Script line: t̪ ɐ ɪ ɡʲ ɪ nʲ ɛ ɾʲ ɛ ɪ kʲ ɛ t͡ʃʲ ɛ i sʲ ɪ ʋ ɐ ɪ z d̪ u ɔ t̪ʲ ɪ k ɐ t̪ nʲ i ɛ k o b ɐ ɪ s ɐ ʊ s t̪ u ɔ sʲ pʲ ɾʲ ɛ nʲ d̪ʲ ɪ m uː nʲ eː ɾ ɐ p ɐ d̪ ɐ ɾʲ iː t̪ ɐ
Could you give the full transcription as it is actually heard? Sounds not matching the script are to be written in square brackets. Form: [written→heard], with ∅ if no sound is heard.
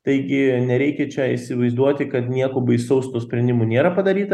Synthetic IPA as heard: t̪ ɐ ɪ ɡʲ ɪ nʲ ɛ ɾʲ ɛ ɪ kʲ ɛ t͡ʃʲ ɛ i sʲ ɪ ʋ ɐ ɪ z d̪ u ɔ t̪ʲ ɪ k ɐ t̪ nʲ i ɛ k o b ɐ ɪ s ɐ ʊ s t̪ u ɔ sʲ pʲ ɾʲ ɛ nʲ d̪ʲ ɪ m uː nʲ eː ɾ ɐ p ɐ d̪ ɐ ɾʲ iː t̪ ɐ